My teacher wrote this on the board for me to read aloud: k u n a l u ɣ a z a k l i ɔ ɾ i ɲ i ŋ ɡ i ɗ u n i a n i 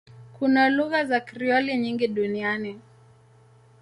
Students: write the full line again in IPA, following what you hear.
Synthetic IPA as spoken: k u n a l u ɣ a z a k ɾ i ɔ l i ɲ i ŋ ɡ i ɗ u n i a n i